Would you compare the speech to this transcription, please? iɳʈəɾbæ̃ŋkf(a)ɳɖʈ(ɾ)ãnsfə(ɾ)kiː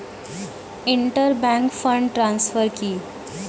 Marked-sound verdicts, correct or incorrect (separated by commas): incorrect, correct, correct